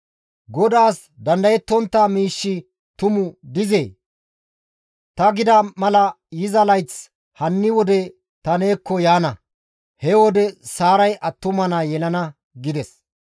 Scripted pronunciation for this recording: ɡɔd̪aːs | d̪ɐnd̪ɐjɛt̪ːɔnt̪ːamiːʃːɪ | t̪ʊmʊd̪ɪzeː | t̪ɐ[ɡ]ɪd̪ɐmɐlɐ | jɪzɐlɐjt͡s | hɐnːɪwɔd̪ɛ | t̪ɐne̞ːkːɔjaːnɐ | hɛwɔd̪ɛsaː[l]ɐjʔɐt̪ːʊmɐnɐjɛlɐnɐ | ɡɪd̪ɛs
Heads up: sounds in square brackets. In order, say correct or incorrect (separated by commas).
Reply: correct, incorrect